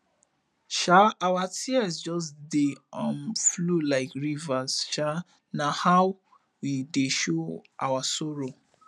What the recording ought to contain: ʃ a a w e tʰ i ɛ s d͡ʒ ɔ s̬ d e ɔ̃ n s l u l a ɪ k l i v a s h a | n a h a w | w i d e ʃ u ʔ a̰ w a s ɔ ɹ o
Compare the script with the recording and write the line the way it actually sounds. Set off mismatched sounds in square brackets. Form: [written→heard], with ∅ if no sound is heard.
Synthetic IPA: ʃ a a w [e→a] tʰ i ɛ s d͡ʒ ɔ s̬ d e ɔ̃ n [s→f] l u l a ɪ k [l→ɹ] i v a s [h→ʃ] a | n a h a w | w i d e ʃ [u→o] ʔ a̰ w a s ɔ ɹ o